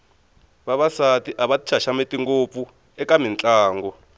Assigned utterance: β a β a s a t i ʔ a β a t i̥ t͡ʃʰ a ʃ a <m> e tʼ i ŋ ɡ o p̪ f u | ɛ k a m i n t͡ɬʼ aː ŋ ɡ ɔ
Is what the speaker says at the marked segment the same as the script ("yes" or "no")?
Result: yes